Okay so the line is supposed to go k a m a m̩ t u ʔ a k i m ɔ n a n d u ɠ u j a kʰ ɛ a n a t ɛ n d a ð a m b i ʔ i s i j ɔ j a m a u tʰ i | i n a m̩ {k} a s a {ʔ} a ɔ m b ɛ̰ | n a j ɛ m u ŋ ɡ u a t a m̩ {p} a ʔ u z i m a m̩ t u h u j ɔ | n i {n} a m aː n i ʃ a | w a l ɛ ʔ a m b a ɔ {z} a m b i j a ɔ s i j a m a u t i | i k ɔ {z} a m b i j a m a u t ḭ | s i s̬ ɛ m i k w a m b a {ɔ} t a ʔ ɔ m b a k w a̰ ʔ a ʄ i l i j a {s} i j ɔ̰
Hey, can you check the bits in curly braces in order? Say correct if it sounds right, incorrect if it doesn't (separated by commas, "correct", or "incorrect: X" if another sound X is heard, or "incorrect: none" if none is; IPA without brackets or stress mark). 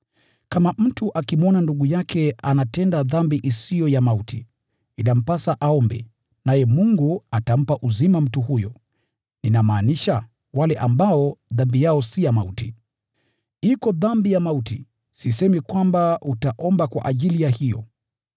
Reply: incorrect: p, correct, correct, correct, incorrect: ð, incorrect: ð, incorrect: u, incorrect: h